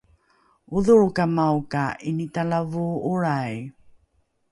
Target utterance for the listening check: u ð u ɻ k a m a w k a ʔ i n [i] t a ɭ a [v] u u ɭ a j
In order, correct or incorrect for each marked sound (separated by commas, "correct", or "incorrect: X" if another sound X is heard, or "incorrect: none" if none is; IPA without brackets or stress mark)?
correct, correct